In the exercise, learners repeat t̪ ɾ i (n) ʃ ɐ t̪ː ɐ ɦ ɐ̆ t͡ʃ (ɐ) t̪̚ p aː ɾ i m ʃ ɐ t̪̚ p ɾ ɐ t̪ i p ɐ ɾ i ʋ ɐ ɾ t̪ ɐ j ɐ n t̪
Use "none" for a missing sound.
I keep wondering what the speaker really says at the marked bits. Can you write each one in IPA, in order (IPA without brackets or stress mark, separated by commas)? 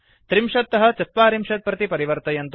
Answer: m, ɐ